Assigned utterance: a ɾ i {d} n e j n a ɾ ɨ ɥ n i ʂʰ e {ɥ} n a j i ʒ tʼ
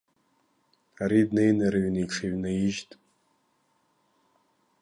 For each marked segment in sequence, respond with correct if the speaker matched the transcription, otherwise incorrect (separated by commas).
correct, correct